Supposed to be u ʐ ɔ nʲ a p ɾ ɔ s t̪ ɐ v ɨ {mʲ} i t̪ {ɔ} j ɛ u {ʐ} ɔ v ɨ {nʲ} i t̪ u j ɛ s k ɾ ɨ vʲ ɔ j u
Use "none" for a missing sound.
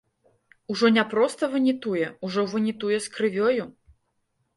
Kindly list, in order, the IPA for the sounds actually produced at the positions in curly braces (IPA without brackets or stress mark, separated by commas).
nʲ, u, ʐ, nʲ